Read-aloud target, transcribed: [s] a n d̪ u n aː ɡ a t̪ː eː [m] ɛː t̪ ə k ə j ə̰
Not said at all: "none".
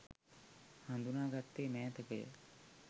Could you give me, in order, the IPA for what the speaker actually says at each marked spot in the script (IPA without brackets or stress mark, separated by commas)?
h, m